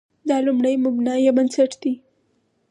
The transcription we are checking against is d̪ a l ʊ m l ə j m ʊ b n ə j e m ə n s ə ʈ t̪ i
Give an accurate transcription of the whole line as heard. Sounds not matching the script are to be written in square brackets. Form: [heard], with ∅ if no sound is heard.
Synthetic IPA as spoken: d̪ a l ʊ m [ɽ] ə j m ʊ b n [a] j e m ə n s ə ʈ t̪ i

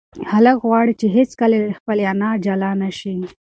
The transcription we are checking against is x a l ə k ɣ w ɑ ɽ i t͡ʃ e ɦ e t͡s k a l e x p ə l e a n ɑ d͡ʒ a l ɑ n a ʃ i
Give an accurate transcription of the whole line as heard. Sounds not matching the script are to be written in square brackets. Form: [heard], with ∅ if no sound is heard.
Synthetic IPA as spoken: [h] a l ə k ɣ w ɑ ɽ i t͡ʃ e ɦ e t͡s k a l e x p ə l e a n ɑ d͡ʒ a l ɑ n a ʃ i

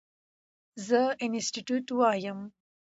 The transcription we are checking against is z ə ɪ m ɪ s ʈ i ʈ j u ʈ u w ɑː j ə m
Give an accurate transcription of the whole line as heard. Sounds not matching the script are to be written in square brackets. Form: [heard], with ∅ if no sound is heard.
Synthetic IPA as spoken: z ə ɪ [n] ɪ s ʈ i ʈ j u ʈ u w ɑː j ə m

